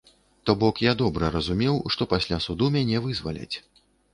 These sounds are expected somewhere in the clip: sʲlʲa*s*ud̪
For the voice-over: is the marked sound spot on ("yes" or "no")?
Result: yes